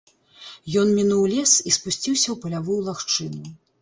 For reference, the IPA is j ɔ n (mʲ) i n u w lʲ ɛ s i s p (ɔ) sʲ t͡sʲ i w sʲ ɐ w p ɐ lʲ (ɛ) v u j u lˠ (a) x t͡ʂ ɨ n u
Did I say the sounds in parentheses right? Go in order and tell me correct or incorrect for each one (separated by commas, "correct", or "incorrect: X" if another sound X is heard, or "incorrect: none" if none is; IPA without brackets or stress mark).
correct, incorrect: u, incorrect: a, correct